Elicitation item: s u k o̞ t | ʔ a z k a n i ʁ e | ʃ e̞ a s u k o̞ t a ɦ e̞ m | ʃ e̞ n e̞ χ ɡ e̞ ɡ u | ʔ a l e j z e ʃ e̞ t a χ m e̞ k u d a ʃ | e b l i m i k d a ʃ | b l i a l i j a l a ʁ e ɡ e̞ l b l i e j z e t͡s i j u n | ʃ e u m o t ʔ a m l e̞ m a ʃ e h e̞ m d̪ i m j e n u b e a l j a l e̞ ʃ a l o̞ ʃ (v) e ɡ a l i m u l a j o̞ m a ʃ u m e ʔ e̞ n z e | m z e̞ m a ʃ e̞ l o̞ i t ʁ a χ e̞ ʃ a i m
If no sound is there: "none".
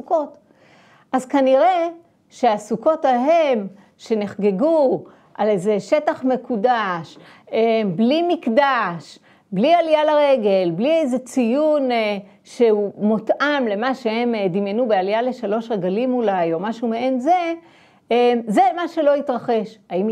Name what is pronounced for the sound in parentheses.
ʁ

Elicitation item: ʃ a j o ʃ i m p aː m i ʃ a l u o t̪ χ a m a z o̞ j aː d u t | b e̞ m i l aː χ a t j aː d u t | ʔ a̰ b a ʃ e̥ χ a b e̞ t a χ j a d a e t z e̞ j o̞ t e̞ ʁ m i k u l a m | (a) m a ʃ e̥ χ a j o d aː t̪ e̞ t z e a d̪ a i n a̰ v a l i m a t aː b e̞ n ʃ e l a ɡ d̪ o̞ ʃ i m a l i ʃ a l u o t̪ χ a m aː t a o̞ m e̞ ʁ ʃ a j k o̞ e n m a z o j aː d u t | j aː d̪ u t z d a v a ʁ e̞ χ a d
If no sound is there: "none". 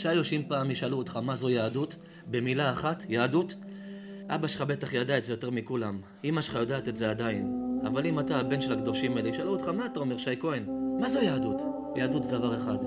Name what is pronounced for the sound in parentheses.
i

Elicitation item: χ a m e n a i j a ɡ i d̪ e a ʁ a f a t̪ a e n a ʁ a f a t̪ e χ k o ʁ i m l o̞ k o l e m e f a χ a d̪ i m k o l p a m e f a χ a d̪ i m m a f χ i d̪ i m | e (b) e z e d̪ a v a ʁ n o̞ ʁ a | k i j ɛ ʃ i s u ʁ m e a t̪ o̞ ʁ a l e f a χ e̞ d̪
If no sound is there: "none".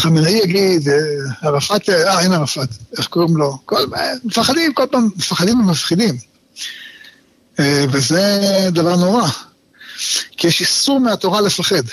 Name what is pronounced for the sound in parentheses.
v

